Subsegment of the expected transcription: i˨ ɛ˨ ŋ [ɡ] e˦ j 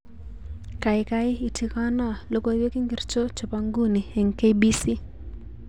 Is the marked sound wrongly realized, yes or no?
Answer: yes